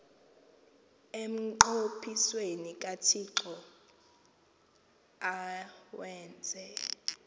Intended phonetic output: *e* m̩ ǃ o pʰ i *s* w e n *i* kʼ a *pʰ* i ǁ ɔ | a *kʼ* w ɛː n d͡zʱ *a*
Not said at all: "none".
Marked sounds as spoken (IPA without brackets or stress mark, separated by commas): e, s, i, tʰ, none, ɛ